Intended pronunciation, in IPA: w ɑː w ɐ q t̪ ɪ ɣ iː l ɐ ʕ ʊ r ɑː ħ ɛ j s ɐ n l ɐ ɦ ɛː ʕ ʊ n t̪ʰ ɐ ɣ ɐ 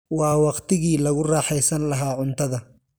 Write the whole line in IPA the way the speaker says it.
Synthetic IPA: w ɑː w ɑ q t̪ ɪ ɣ iː l ɐ ɣ ʊ r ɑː ħ ɛ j s ɐ n l ɐ ɦ aː ʕ ʊ n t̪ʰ ɐ ð ɐ